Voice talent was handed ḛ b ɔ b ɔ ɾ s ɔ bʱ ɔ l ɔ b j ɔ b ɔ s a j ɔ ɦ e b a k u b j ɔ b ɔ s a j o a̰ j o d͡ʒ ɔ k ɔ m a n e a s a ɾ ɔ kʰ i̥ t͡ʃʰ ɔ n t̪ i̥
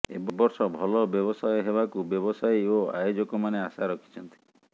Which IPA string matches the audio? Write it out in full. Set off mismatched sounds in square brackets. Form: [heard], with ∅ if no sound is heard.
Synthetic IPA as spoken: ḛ b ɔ b ɔ ɾ s ɔ bʱ ɔ l ɔ b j ɔ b ɔ s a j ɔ ɦ e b a k u b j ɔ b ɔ s a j o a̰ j o d͡ʒ ɔ k ɔ m a n e a s a ɾ ɔ kʰ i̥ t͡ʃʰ ɔ n t̪ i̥